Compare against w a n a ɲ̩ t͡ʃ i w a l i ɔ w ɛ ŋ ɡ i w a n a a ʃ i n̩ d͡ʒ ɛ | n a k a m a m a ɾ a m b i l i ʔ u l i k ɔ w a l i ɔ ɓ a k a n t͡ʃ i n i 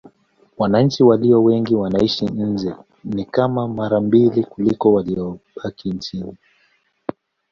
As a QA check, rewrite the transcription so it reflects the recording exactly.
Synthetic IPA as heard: w a n a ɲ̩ t͡ʃ i w a l i ɔ w ɛ ŋ ɡ i w a n a i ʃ i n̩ d͡ʒ ɛ | n i k a m a m a ɾ a m b i l i k u l i k ɔ w a l i ɔ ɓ a k i n t͡ʃ i n i